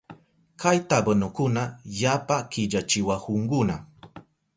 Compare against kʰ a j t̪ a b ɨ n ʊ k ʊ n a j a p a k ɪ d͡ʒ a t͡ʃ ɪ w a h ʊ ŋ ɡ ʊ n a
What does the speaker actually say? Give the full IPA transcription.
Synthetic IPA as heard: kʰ a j t̪ a b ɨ n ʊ k ʊ n a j a p a k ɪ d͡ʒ a t͡ʃ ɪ w a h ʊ ŋ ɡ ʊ n a